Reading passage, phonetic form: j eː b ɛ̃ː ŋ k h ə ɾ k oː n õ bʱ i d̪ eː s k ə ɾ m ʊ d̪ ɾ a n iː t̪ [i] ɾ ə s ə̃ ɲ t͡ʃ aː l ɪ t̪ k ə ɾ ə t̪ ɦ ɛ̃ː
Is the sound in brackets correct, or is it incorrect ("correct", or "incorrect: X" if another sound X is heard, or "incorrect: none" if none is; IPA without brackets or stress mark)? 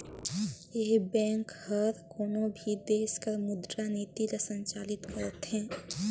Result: correct